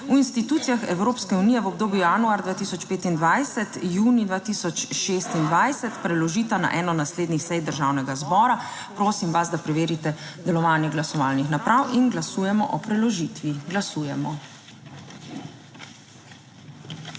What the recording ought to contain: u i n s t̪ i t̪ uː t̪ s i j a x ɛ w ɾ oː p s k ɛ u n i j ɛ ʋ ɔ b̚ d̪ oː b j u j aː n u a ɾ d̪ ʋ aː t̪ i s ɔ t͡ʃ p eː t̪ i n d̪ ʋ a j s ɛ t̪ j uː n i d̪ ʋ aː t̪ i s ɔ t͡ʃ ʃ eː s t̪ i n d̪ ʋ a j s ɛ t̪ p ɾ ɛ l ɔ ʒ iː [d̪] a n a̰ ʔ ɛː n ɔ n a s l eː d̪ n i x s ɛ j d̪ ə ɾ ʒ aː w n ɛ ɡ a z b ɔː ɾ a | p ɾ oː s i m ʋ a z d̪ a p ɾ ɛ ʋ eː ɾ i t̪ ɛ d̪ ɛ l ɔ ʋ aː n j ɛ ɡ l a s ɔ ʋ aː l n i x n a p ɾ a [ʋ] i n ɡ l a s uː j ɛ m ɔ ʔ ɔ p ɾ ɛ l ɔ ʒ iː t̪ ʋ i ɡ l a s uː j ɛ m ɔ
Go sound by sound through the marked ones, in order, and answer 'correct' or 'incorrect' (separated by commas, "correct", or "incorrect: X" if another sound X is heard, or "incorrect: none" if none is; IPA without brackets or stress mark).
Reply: incorrect: t̪, incorrect: w